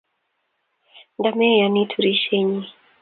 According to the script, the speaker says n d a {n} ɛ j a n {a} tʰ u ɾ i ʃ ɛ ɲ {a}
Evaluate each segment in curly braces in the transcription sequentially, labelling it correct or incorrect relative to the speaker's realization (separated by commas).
incorrect, incorrect, incorrect